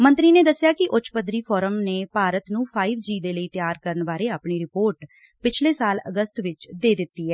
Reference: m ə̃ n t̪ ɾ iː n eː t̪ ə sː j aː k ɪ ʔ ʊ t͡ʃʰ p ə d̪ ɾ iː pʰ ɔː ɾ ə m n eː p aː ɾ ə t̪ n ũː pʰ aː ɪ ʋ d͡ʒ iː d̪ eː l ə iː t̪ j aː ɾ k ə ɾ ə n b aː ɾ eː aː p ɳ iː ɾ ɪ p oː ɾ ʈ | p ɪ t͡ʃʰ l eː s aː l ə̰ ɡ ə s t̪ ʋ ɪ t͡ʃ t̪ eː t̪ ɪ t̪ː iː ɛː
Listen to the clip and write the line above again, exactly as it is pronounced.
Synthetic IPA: m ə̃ n t̪ ɾ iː n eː d̪ ə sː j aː k ɪ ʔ ʊ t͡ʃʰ p ə d̪ ɾ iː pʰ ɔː ɾ ə m n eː p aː ɾ ə t̪ n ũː pʰ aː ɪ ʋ d͡ʒ iː d̪ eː l ə iː t̪ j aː ɾ k ə ɾ ə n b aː ɾ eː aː p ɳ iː ɾ ɪ p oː ɾ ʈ | p ɪ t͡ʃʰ l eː s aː l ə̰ ɡ ə s t̪ ʋ ɪ t͡ʃ d̪ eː d̪ ɪ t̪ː iː ɛː